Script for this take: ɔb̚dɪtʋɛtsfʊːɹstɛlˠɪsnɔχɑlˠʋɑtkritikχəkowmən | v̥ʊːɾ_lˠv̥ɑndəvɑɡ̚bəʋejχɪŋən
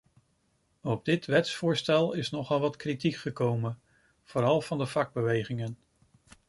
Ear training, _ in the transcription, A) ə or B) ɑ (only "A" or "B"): B